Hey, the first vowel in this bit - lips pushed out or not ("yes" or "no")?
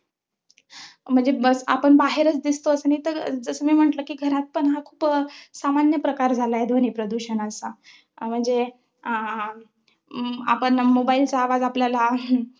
no